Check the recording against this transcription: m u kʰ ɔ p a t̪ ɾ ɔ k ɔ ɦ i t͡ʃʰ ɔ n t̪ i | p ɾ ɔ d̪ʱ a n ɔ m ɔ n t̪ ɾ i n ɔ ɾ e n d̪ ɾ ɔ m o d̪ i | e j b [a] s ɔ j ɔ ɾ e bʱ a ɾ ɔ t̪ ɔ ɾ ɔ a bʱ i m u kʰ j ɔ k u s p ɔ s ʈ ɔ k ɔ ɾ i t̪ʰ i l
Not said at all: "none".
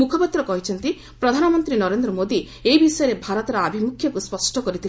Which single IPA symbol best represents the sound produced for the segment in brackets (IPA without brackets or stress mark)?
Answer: i